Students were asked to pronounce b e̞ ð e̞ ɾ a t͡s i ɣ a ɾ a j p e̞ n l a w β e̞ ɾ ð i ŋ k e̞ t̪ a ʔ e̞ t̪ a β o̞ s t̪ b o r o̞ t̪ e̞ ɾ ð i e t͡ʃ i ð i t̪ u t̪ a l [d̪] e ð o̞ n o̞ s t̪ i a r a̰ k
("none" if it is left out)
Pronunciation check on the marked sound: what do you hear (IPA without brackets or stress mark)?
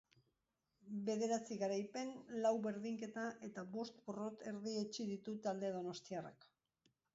d̪